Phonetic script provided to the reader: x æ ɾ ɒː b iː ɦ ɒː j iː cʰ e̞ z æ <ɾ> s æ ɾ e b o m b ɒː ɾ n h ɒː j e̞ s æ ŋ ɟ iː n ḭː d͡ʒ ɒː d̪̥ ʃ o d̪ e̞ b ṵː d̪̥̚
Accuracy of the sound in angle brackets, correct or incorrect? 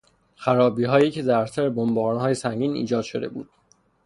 correct